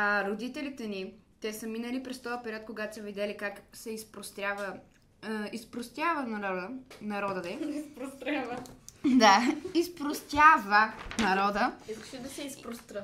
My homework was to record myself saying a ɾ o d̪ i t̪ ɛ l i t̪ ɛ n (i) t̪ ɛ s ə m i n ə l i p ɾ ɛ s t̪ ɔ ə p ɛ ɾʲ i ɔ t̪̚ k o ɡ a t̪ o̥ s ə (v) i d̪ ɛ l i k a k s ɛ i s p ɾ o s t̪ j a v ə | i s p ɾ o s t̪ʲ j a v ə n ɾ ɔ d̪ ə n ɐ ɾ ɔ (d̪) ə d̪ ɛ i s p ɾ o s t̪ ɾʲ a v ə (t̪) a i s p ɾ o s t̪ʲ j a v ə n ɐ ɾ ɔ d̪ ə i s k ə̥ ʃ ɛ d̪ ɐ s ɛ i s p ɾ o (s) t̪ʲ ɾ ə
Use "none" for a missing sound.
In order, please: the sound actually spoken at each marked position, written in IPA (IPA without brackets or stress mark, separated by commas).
i, v, d̪, d̪, s